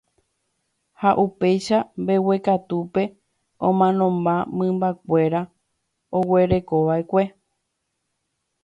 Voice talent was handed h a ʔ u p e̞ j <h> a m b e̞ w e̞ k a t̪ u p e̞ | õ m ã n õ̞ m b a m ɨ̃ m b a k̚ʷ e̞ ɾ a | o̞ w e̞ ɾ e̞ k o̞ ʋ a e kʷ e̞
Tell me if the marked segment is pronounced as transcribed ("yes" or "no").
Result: no